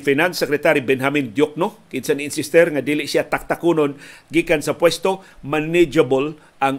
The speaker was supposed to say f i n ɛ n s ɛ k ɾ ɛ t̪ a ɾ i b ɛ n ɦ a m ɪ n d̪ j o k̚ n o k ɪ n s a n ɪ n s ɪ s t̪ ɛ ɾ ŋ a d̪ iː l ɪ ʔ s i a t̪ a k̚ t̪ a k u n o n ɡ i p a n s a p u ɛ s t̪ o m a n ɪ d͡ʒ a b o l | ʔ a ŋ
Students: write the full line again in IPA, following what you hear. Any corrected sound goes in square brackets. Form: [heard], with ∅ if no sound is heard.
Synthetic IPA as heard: f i n [a] n s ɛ k ɾ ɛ t̪ a ɾ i b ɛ n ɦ a m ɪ n d̪ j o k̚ n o k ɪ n s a n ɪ n s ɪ s t̪ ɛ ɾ ŋ a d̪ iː l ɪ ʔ s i a t̪ a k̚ t̪ a k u n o n ɡ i [k] a n s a p [w] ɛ s t̪ o m a n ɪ d͡ʒ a b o l | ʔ a ŋ